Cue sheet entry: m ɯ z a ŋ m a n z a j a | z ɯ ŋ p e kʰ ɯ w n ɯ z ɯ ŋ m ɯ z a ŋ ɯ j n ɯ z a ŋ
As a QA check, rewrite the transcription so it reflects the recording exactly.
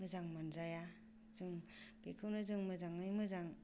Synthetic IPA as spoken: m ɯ z a ŋ m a n z a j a | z ɯ ŋ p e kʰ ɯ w n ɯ z ɯ ŋ m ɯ z a ŋ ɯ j m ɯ z a ŋ